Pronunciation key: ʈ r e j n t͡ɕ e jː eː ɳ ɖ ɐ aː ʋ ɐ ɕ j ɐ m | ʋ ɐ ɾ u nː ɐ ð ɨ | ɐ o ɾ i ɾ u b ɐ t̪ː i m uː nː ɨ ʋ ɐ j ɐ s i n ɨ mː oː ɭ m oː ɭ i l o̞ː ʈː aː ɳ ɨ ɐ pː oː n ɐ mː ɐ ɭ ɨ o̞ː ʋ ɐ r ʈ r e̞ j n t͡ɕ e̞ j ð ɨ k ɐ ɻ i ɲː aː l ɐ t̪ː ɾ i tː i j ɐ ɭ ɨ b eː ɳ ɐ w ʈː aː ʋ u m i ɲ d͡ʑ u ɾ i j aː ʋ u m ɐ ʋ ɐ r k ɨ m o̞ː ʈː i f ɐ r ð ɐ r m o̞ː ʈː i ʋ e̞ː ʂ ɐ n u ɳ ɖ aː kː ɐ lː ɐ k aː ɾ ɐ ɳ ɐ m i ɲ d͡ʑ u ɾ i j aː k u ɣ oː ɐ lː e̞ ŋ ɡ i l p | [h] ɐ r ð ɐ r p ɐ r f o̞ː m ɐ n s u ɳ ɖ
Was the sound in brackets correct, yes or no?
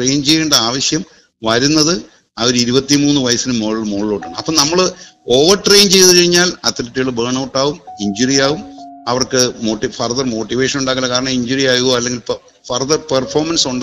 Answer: no